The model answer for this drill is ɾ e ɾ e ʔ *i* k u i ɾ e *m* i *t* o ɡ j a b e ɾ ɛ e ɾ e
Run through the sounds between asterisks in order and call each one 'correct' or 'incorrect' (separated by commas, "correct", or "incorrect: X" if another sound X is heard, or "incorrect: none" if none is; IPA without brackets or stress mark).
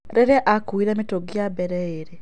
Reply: incorrect: a, correct, correct